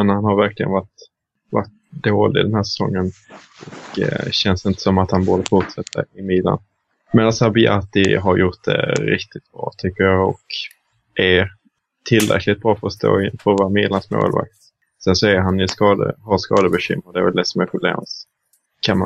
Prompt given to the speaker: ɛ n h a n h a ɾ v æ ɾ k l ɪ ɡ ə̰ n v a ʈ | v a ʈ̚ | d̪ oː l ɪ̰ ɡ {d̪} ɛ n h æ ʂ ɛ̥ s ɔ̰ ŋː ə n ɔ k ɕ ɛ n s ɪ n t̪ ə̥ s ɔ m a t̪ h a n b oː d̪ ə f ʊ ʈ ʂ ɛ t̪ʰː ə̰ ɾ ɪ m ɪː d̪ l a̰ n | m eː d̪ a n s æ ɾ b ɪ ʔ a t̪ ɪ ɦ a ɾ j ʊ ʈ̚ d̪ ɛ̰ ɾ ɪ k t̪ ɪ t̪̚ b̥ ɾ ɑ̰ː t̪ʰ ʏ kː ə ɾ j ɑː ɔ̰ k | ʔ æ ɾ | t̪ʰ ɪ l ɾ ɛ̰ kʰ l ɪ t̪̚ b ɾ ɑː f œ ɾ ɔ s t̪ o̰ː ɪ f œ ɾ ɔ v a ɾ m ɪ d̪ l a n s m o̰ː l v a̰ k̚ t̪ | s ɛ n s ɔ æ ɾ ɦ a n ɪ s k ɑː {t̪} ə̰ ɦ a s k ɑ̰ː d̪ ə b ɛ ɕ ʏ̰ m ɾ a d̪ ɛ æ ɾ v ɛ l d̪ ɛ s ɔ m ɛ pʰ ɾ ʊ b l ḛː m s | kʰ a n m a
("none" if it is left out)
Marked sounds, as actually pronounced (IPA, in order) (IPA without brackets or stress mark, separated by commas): d̪, d̪